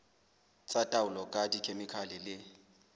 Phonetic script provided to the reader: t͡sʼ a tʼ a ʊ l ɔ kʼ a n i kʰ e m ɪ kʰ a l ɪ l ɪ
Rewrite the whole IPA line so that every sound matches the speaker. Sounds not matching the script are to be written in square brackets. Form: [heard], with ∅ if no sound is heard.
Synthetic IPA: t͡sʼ a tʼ a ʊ l ɔ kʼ a [d] i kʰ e m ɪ kʰ a l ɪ l ɪ